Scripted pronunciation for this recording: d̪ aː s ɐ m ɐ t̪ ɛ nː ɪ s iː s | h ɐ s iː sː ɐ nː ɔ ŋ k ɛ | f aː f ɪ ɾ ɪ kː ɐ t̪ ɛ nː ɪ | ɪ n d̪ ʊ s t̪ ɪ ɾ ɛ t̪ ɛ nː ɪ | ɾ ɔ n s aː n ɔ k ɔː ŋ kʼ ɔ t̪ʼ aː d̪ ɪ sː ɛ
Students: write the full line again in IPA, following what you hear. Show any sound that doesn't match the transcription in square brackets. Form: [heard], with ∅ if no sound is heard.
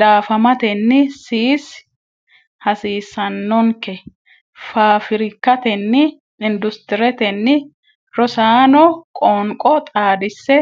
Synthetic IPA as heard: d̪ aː [f] ɐ m ɐ t̪ ɛ nː ɪ s iː s | h ɐ s iː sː ɐ nː ɔ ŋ k ɛ | f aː f ɪ ɾ ɪ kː ɐ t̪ ɛ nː ɪ | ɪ n d̪ ʊ s t̪ ɪ ɾ ɛ t̪ ɛ nː ɪ | ɾ ɔ [∅] s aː n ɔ [kʼ] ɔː ŋ kʼ ɔ t̪ʼ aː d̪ ɪ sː ɛ